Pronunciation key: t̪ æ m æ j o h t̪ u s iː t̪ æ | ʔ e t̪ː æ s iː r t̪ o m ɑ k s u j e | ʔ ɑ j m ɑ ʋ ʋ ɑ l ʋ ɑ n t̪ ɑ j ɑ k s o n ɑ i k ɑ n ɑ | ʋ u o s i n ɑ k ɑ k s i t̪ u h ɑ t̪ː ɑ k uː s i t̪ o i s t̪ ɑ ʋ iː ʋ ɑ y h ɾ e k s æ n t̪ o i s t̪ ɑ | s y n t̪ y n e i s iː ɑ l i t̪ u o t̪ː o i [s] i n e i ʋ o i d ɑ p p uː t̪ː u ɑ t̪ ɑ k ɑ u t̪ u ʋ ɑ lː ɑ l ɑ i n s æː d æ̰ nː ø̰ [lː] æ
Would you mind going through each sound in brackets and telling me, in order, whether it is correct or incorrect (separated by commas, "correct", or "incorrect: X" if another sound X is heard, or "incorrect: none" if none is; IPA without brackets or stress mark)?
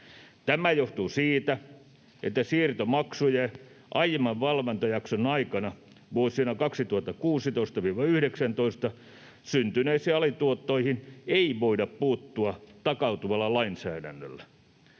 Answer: incorrect: h, correct